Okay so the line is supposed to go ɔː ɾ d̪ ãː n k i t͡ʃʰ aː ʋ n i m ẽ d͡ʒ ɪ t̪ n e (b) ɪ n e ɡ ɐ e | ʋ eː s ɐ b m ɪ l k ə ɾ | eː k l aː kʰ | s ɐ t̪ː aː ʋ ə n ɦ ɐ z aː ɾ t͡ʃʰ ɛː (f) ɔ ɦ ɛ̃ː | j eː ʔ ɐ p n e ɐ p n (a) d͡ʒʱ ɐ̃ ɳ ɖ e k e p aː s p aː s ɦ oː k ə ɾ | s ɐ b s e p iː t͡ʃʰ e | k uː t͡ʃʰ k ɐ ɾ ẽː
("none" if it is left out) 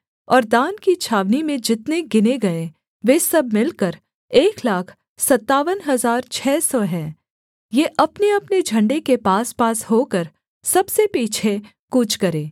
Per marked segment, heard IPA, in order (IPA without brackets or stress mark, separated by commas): ɡ, s, e